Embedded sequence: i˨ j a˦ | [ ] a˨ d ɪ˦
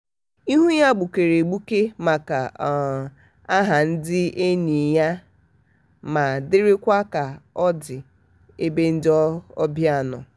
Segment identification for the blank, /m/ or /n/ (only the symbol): m